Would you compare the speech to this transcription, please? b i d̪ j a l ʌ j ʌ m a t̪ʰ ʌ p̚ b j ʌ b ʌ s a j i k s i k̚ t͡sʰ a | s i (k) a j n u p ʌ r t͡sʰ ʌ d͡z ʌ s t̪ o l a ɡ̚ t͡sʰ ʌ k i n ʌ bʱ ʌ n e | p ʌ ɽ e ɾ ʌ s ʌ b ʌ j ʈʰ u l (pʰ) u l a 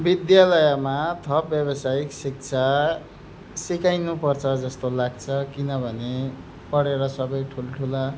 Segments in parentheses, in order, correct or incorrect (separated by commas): correct, incorrect